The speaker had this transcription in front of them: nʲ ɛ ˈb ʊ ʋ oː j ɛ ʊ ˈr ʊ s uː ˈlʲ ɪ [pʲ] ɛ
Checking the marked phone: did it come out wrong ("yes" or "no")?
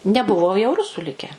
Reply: yes